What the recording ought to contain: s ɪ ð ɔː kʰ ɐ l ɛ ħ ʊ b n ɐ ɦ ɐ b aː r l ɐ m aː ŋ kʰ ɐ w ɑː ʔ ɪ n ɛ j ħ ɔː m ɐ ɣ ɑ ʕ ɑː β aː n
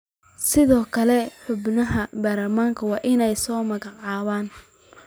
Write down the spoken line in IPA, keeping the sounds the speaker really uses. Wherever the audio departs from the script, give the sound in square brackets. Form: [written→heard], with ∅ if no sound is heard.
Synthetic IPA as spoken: s ɪ ð ɔː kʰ ɐ l ɛ ħ ʊ b n ɐ ɦ ɐ b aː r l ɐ m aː ŋ kʰ ɐ w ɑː ʔ ɪ n ɛ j [ħ→s] ɔː m ɐ ɣ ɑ ʕ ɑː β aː n

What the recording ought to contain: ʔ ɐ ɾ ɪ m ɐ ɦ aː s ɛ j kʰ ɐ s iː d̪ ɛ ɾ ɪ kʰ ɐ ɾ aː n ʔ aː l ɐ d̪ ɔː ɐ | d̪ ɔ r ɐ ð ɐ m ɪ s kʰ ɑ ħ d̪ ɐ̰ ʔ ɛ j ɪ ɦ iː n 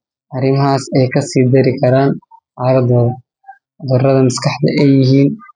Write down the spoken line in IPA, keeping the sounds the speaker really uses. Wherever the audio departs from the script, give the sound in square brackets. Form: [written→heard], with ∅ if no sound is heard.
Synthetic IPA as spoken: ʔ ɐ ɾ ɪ m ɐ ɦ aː s ɛ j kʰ ɐ s iː d̪ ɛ ɾ ɪ kʰ ɐ ɾ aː n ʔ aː [l→ɾ] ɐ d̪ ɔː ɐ | d̪ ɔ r ɐ ð ɐ m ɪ s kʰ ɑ ħ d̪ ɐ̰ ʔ ɛ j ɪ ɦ iː n

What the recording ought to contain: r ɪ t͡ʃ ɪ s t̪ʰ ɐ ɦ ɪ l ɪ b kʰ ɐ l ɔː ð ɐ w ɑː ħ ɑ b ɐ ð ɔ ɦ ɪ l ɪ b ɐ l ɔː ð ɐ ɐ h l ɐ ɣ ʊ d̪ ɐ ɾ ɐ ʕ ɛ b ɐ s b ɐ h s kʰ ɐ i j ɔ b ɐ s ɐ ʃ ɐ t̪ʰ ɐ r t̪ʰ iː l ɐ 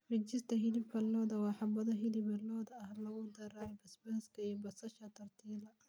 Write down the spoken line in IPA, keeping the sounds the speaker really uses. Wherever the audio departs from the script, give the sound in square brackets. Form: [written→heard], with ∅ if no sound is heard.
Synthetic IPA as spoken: r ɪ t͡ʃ ɪ s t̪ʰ ɐ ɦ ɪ l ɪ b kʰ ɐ l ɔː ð ɐ w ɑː ħ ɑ b ɐ ð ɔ ɦ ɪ l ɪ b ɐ l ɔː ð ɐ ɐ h l ɐ ɣ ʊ d̪ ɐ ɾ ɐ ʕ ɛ b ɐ s b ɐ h s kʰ ɐ i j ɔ b ɐ s ɐ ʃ ɐ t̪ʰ ɐ r t̪ʰ iː l ɐ

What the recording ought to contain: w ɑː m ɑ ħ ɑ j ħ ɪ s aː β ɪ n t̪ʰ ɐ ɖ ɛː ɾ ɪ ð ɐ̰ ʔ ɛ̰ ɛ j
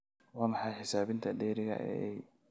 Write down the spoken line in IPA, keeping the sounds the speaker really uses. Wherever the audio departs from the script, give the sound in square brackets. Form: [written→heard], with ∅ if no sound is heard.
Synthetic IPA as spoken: w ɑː m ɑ ħ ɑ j ħ ɪ s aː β ɪ n t̪ʰ ɐ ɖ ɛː ɾ ɪ [ð→ɣ] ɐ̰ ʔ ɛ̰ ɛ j

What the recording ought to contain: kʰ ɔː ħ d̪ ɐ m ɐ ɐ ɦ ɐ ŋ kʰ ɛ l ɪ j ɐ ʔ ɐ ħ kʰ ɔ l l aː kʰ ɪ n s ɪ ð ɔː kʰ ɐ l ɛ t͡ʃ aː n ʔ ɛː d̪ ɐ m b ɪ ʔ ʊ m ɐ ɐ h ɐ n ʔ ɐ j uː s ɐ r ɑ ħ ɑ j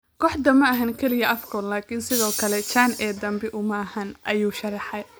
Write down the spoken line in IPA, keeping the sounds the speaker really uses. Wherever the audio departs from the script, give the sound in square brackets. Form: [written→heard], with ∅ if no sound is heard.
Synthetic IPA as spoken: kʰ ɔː ħ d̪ ɐ m ɐ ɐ ɦ ɐ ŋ kʰ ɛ l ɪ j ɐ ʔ ɐ [ħ→f] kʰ ɔ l l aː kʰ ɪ n s ɪ ð ɔː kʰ ɐ l ɛ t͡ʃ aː n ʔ ɛː d̪ ɐ m b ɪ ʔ ʊ m ɐ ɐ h ɐ n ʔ ɐ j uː [s→ʃ] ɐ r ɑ ħ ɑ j

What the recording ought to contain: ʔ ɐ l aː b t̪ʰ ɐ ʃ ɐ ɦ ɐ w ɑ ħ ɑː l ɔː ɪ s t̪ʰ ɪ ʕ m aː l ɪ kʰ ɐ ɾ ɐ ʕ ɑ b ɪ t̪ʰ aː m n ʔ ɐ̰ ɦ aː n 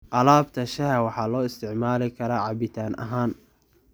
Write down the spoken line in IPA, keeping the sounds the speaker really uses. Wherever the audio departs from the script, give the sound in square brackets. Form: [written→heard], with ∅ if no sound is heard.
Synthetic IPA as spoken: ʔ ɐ l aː b t̪ʰ ɐ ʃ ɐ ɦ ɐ w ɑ ħ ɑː l ɔː ɪ s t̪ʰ ɪ ʕ m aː l ɪ kʰ ɐ ɾ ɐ ʕ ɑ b ɪ t̪ʰ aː [m→∅] n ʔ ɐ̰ ɦ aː n

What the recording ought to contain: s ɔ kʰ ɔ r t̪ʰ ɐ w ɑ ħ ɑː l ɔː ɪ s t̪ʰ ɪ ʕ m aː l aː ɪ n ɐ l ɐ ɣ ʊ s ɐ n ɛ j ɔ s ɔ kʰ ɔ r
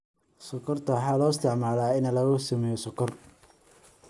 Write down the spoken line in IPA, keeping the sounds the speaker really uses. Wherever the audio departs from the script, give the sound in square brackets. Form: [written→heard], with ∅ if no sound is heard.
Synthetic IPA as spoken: s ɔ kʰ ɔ r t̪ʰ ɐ w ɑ ħ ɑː l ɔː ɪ s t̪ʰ ɪ ʕ m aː l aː ɪ n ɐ l ɐ ɣ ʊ s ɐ [n→m] ɛ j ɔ s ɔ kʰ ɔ r

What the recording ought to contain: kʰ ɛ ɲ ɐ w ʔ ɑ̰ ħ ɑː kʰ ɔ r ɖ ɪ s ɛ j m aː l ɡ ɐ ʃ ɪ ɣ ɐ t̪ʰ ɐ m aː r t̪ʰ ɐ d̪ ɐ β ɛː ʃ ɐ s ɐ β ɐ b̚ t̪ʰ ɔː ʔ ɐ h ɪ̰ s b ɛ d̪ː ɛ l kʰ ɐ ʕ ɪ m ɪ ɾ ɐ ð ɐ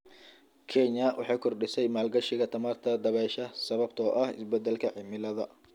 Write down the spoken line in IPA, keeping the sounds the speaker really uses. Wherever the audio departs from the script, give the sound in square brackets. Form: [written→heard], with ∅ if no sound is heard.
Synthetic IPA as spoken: kʰ ɛ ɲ ɐ w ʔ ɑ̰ ħ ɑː kʰ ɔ r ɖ ɪ s ɛ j m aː l ɡ ɐ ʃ ɪ ɣ ɐ t̪ʰ ɐ m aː r t̪ʰ ɐ d̪ ɐ β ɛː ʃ ɐ s ɐ β ɐ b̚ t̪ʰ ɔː ʔ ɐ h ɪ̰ s b ɛ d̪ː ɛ l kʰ ɐ ʕ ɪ m ɪ [ɾ→l] ɐ ð ɐ

